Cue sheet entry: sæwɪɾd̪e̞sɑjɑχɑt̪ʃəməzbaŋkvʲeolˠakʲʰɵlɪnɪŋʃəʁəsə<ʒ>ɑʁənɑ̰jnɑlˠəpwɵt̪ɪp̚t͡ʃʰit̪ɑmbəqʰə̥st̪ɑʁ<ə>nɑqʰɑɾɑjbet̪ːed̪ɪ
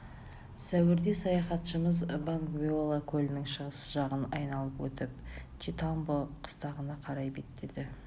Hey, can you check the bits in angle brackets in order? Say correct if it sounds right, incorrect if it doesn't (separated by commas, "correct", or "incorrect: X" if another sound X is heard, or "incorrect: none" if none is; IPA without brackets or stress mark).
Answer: correct, correct